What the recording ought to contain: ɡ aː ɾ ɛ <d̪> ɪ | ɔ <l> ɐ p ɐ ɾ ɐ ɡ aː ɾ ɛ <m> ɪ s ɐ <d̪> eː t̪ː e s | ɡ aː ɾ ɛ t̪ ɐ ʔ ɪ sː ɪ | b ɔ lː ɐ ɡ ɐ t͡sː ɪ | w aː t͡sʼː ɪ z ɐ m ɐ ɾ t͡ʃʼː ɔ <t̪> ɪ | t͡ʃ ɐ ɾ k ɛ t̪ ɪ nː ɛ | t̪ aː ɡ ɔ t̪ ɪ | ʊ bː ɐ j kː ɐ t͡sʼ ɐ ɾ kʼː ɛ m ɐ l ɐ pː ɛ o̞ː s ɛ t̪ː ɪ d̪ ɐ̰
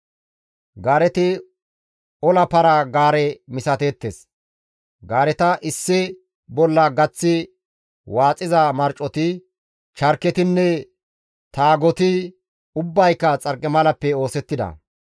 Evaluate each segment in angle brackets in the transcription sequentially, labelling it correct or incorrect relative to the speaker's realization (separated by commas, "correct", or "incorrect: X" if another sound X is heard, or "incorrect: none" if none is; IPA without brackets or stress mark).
incorrect: t̪, correct, correct, incorrect: t̪, correct